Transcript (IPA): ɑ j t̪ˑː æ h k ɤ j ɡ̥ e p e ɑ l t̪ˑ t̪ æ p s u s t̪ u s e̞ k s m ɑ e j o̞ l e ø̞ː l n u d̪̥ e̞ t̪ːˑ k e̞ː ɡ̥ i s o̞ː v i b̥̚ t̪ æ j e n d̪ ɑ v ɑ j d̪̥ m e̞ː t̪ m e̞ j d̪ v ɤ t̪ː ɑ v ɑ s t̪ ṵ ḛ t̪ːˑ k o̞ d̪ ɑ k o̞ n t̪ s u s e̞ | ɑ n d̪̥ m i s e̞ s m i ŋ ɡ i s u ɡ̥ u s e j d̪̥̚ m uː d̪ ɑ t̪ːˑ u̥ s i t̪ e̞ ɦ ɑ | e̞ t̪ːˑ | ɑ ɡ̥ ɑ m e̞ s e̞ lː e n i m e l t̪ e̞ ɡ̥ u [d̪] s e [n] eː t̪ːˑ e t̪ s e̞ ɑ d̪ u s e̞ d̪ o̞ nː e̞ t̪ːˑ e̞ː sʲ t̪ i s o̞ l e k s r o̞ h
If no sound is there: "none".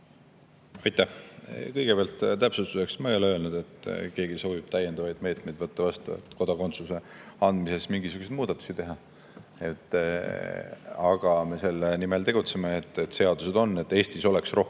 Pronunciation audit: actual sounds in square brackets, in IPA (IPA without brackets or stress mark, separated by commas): t̪, m